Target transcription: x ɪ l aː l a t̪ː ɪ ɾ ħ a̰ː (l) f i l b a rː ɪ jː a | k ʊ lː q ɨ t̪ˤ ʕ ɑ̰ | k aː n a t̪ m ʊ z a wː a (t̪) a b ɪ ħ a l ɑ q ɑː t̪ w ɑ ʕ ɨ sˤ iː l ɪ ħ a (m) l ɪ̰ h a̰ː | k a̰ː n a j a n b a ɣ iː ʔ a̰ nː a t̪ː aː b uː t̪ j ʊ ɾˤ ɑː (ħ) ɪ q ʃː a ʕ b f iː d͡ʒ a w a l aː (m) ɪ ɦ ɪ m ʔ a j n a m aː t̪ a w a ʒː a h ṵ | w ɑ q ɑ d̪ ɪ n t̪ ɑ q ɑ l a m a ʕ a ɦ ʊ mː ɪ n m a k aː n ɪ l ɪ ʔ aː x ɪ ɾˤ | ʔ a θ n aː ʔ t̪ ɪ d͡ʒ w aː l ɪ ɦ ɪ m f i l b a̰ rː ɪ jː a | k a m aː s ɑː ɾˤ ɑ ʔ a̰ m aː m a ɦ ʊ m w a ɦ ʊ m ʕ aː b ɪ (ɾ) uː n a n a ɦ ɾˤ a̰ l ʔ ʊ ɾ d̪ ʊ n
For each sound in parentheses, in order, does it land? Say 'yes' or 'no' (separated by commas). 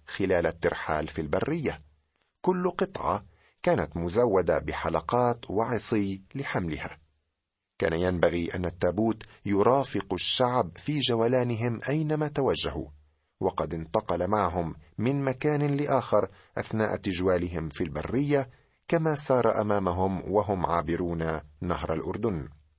yes, no, yes, no, no, yes